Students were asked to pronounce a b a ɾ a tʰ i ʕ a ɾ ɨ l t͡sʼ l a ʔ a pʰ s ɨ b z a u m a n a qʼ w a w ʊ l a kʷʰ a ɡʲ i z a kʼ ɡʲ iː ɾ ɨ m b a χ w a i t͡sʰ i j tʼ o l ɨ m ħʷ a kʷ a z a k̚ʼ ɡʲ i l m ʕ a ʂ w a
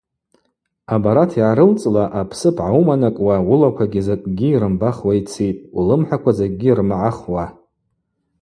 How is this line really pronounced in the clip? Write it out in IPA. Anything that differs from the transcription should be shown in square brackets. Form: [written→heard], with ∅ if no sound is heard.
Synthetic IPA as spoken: a b a ɾ a tʰ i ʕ a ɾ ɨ l t͡sʼ l a ʔ a pʰ s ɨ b [z→ʕ] a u m a n a [qʼ→kʼ] w a w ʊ l a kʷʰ a ɡʲ i z a kʼ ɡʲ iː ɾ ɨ m b a χ w a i t͡sʰ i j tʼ [o→u] l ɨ m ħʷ a kʷ a z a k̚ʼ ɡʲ i [l→r] m ʕ a [ʂ→χ] w a